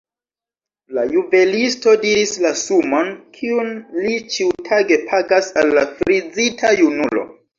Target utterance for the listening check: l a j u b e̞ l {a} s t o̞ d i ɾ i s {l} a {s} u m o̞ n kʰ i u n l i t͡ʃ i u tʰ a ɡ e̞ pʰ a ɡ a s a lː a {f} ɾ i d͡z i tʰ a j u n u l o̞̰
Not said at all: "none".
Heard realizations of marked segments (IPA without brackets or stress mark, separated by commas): i, l, s, f